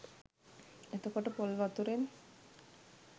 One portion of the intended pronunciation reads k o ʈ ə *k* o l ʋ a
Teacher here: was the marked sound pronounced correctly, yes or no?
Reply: no